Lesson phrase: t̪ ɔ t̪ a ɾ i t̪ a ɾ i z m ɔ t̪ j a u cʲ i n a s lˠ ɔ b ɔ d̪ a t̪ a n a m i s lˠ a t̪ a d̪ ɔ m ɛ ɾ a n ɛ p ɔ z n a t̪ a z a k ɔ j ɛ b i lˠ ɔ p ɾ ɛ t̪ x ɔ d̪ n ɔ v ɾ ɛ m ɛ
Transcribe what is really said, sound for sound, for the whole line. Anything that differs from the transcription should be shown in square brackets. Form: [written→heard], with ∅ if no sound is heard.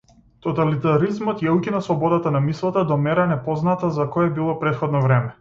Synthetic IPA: t̪ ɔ t̪ a [ɾ→l] i t̪ a ɾ i z m ɔ t̪ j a u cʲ i n a s lˠ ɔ b ɔ d̪ a t̪ a n a m i s lˠ a t̪ a d̪ ɔ m ɛ ɾ a n ɛ p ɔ z n a t̪ a z a k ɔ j ɛ b i lˠ ɔ p ɾ ɛ t̪ x ɔ d̪ n ɔ v ɾ ɛ m ɛ